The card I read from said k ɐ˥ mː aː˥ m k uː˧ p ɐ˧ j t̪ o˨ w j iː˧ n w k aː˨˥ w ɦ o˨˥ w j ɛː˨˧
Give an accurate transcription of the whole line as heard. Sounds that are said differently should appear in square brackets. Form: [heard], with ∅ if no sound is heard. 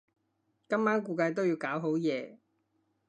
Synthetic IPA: k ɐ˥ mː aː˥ [n] k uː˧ [k] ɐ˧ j t̪ [o˥] w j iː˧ [∅] w k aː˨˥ w ɦ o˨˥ w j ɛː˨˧